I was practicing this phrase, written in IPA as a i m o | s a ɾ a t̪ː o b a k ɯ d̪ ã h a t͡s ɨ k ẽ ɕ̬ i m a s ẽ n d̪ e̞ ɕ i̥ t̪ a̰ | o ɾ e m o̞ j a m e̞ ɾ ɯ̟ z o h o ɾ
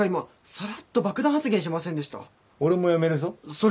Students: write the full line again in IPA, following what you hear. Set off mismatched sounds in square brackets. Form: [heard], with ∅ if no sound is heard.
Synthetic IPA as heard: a i m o | s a ɾ a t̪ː o b a k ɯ d̪ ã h a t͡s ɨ [ɡ] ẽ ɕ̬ i m a s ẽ n d̪ e̞ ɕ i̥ t̪ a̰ | o ɾ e m o̞ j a m e̞ ɾ ɯ̟ z o [s] o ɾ

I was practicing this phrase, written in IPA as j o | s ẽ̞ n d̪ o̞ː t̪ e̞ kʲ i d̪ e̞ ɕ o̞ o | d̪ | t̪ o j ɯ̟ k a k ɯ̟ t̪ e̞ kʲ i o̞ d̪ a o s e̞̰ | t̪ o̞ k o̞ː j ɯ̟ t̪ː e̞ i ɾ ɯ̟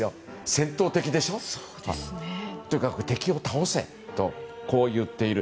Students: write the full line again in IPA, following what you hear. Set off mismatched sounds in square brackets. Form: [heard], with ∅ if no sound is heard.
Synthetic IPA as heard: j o | s ẽ̞ n [t̪] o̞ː t̪ e̞ kʲ i d̪ e̞ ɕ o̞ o | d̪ | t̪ o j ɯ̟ k a k ɯ̟ t̪ e̞ kʲ i o̞ [t̪] a o s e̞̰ | t̪ o̞ k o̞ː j ɯ̟ t̪ː e̞ i ɾ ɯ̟

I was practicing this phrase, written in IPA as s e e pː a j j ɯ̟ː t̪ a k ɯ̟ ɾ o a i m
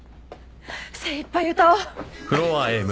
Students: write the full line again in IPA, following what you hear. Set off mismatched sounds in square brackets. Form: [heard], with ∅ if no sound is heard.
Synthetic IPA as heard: s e [i] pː a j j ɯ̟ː t̪ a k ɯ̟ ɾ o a [e] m

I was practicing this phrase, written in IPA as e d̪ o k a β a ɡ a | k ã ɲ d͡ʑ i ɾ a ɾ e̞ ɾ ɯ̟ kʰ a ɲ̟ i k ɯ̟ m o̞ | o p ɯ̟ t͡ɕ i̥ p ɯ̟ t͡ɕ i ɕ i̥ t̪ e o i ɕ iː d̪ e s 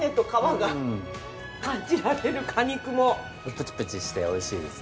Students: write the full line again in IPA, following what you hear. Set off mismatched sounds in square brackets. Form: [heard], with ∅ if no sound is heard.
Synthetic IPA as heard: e [t̪] o k a β a ɡ a | k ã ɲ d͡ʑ i ɾ a ɾ e̞ ɾ ɯ̟ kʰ a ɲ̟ i k ɯ̟ m o̞ | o p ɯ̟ t͡ɕ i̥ p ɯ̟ t͡ɕ i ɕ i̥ t̪ e o i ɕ iː d̪ e s

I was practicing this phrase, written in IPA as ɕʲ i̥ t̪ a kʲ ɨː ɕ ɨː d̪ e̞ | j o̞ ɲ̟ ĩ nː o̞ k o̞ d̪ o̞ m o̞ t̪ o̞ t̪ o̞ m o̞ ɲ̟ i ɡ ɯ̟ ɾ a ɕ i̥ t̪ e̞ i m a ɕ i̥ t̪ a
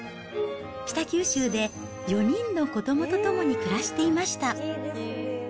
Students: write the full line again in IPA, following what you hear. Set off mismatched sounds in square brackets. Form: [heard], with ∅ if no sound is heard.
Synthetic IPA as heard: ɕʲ i̥ t̪ a kʲ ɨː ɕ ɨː d̪ e̞ | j o̞ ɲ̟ ĩ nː o̞ k o̞ d̪ o̞ m o̞ t̪ o̞ t̪ o̞ m o̞ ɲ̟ i [k] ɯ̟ ɾ a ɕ i̥ t̪ e̞ i m a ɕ i̥ t̪ a

